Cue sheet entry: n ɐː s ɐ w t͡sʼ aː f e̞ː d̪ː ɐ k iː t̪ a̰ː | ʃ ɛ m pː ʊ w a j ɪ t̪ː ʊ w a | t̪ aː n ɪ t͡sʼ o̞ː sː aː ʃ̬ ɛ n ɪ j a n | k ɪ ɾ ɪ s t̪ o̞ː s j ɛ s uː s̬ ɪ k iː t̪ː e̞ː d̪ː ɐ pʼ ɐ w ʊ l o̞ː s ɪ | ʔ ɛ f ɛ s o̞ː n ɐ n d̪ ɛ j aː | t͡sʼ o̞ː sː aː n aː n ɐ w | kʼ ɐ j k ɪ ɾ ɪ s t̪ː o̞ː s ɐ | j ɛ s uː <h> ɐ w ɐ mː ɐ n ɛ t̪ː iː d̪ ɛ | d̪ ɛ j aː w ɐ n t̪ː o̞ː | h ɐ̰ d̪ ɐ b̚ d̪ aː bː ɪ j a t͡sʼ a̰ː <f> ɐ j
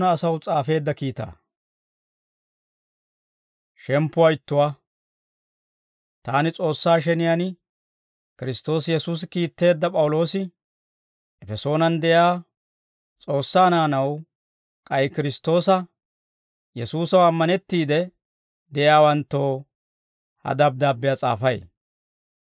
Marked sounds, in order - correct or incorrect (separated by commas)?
incorrect, correct